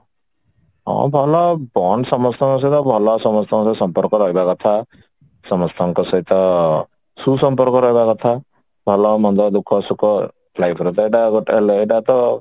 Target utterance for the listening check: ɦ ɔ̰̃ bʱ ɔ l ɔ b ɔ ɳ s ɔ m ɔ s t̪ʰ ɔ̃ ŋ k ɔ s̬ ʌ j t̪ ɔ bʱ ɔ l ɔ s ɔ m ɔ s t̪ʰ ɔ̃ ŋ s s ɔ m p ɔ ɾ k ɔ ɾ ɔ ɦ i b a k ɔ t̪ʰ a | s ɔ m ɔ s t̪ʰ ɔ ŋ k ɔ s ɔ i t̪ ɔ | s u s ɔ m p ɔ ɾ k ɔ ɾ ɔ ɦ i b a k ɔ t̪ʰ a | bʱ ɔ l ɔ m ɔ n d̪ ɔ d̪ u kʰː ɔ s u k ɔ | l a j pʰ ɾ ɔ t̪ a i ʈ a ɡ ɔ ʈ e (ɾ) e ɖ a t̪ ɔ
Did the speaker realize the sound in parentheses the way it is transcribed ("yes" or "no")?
no